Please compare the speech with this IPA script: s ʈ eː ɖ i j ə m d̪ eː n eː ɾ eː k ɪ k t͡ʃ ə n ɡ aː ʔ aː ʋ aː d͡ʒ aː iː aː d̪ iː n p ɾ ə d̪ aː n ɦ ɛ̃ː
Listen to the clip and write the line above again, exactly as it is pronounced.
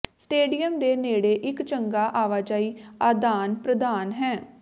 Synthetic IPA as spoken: s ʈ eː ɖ i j ə m d̪ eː n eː ɽ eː ʔ ɪ k t͡ʃ ə ŋ ɡ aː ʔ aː ʋ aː d͡ʒ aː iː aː d̪ aː n p ɾ ə d̪ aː n ɦ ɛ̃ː